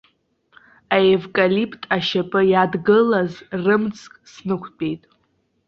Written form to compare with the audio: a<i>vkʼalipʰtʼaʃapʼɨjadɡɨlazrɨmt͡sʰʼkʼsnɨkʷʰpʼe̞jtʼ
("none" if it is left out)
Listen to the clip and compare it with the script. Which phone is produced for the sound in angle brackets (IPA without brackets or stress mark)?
e